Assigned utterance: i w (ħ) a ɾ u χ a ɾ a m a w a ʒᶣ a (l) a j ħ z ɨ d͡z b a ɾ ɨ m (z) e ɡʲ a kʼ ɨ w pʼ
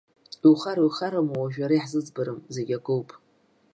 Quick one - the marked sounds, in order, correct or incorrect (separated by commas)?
incorrect, incorrect, correct